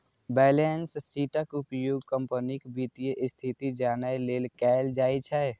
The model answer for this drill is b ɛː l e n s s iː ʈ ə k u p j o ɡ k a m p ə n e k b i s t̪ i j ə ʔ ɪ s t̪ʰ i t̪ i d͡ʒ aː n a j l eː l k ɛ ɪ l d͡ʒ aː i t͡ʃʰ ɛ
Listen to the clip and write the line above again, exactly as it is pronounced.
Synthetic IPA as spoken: b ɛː l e n s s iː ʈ ə k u p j o ɡ k ə m p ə n i k b i t̪ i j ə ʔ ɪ s t̪ʰ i t̪ i d͡ʒ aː n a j l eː l k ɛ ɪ l d͡ʒ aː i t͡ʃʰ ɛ